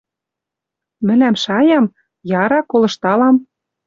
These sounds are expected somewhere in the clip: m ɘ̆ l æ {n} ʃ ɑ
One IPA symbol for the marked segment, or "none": m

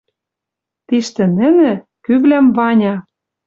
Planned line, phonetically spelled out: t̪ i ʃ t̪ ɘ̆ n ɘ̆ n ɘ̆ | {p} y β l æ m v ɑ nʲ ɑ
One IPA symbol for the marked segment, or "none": k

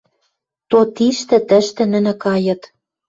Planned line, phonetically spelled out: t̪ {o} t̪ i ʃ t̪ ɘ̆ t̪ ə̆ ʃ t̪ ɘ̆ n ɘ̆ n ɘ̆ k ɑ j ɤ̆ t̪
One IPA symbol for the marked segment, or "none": o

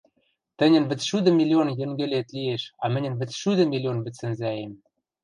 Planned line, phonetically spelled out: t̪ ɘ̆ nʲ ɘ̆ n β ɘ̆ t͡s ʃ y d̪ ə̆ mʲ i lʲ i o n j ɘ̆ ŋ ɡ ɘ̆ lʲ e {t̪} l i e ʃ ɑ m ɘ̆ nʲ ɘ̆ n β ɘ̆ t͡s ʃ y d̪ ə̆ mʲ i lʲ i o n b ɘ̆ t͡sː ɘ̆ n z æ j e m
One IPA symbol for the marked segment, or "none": t̪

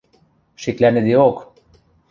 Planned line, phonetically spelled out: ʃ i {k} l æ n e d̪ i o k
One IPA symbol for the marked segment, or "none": k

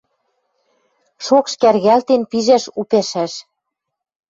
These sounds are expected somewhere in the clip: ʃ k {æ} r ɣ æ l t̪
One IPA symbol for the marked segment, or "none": æ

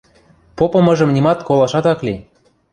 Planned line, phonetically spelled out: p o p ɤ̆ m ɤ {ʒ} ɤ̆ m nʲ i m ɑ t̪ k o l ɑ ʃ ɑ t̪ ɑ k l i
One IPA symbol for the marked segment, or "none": ʒ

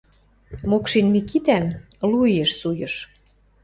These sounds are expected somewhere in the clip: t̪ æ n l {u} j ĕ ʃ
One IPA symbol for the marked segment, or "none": u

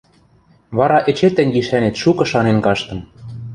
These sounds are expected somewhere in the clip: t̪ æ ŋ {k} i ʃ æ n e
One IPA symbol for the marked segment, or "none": ɡ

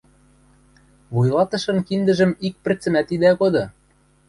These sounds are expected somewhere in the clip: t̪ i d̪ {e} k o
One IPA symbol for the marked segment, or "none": æ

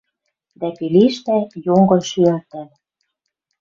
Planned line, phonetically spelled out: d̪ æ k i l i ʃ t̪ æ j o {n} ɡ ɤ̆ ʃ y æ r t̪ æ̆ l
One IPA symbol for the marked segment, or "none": ŋ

